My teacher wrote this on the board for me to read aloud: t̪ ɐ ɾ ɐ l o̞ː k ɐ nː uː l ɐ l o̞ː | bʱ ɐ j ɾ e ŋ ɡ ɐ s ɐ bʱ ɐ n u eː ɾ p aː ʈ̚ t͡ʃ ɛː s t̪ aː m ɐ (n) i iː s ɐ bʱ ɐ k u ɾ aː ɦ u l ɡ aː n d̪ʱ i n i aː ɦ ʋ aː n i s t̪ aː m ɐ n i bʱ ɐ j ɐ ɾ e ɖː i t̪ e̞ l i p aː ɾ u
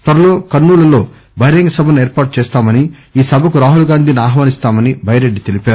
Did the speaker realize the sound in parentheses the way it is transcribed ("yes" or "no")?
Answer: yes